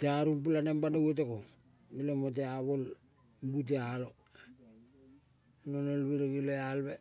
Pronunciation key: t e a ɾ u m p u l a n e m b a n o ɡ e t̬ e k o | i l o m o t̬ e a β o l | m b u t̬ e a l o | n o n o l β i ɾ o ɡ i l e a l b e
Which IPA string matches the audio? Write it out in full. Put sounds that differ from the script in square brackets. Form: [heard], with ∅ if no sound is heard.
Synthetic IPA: t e a ɾ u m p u l a n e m b a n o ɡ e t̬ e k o | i l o m o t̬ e a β o l | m b u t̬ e a l o | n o n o l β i ɾ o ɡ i l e a l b e